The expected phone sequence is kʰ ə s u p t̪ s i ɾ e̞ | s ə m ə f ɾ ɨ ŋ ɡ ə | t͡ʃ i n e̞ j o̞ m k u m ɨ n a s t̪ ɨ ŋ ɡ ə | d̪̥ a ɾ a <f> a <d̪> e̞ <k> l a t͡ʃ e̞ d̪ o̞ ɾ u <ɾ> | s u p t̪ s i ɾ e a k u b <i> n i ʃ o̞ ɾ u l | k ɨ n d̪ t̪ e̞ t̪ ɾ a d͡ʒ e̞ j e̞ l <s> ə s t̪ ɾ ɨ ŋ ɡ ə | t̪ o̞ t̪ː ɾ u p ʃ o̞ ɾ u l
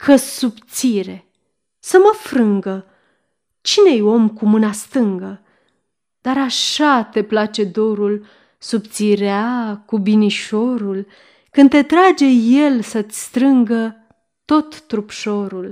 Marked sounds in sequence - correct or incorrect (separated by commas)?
incorrect, incorrect, incorrect, incorrect, correct, correct